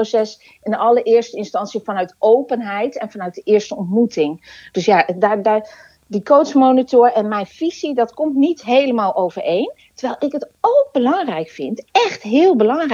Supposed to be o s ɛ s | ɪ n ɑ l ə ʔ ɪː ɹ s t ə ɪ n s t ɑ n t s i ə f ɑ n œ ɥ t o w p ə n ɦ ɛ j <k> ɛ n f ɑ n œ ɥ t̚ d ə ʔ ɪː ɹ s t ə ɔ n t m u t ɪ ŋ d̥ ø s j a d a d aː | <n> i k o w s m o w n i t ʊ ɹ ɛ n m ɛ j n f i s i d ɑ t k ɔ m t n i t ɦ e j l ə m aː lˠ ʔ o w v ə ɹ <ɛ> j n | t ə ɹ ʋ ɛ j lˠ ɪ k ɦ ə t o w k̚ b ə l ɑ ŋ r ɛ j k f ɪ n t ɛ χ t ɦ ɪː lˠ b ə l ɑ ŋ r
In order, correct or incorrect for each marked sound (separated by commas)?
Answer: incorrect, incorrect, incorrect